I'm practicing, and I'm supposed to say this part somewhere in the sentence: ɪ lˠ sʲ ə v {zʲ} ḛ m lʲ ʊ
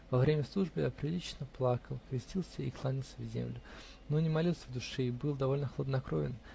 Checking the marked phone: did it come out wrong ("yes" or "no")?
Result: no